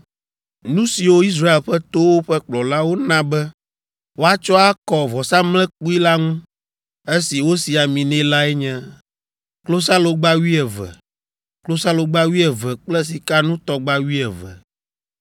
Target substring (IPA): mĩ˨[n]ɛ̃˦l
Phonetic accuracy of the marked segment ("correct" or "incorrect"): correct